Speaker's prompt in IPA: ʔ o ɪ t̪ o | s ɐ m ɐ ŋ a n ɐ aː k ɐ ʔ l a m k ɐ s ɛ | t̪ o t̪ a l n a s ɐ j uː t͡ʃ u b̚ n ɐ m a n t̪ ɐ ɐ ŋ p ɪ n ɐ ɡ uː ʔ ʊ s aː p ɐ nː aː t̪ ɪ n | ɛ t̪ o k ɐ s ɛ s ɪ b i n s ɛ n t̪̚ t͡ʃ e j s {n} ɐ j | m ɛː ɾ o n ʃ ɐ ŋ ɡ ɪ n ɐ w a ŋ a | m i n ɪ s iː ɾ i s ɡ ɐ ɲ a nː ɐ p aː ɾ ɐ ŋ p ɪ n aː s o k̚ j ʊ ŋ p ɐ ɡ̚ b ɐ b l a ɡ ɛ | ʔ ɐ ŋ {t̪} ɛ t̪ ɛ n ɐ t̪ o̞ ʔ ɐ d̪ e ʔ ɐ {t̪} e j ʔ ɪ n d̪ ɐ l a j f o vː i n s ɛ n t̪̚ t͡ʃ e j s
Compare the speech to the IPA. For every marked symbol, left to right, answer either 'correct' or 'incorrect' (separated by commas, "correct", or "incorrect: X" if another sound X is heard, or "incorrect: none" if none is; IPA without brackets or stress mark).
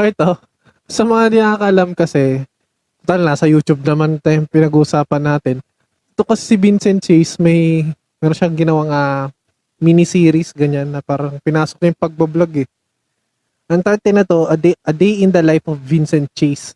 incorrect: m, correct, incorrect: d̪